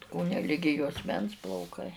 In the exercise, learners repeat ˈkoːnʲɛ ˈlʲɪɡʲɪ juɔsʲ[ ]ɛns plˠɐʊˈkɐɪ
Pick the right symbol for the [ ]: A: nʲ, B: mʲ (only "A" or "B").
B